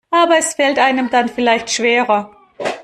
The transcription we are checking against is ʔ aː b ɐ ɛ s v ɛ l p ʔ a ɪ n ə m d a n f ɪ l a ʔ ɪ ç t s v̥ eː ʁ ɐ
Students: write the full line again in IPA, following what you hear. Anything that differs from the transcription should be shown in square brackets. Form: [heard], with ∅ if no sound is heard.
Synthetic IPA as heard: ʔ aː b ɐ ɛ s [f] ɛ l [t] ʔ a ɪ n ə m d a n f ɪ l a [∅] ɪ ç t [ʃ] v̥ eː ʁ ɐ